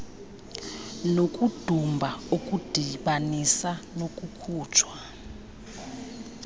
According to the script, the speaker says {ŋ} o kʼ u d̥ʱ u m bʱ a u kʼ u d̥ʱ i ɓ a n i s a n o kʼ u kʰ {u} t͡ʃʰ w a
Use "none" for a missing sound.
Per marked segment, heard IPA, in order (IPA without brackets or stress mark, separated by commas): n, uː